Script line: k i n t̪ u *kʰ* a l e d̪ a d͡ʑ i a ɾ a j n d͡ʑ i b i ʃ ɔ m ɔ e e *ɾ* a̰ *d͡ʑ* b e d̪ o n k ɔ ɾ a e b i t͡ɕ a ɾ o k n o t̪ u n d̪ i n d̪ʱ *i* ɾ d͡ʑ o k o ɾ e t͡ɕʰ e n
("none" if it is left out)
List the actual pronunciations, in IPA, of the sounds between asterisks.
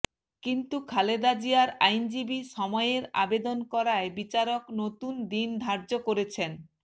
kʰ, ɾ, none, a

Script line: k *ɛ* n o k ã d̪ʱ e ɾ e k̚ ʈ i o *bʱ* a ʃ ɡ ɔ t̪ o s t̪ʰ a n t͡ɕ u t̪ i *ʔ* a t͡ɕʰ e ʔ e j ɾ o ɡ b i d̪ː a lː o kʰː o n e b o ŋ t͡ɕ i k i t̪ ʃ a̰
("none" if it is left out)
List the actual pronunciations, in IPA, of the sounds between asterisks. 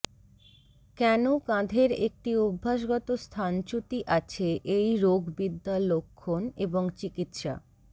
ɛ, bʱː, ʔ

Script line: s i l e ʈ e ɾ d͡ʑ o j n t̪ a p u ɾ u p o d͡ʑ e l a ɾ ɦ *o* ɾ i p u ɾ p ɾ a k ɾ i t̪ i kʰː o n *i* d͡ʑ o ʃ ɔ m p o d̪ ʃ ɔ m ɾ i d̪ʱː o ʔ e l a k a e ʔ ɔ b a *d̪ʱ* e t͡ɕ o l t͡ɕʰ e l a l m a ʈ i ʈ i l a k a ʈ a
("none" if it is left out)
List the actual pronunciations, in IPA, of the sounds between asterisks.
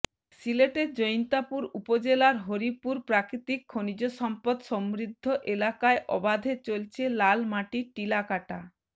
o, i, d̪ʱ

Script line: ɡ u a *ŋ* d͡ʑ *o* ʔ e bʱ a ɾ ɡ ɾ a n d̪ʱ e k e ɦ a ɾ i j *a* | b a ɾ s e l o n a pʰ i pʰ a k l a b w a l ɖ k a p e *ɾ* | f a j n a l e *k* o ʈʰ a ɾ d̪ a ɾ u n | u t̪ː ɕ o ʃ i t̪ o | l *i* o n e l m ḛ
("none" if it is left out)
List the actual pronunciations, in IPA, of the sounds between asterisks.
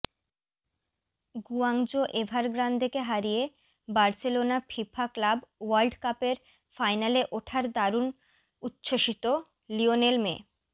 ŋ, o, e, ɾ, ʔ, i

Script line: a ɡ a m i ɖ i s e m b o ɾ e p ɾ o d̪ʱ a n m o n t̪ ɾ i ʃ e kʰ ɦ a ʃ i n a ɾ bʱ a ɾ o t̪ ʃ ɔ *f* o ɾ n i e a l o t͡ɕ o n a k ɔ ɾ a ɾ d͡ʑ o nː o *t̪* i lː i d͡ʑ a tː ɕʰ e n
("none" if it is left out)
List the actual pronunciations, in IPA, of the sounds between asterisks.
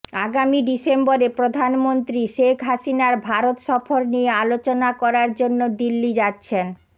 f, d̪

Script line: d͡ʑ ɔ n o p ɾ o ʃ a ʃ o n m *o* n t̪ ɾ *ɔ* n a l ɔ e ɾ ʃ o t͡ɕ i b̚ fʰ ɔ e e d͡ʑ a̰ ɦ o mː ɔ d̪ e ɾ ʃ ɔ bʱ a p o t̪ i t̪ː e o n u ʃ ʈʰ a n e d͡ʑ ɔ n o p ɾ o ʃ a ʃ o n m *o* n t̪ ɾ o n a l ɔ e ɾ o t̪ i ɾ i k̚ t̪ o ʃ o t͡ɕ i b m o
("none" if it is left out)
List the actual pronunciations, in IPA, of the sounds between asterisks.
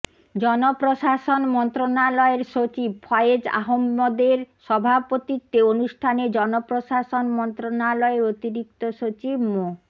ɔ, o, ɔ

